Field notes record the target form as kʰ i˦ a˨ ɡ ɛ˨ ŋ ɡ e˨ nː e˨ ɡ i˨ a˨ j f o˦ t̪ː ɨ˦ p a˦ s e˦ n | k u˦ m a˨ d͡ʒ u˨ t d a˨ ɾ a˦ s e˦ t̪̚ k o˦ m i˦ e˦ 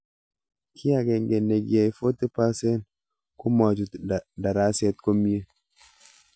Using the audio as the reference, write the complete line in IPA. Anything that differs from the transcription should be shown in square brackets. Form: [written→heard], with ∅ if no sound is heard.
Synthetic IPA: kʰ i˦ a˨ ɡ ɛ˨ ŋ ɡ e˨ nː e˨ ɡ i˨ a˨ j f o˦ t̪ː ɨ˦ p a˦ s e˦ n | k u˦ m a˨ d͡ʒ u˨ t d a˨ ɾ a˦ s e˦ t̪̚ k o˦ m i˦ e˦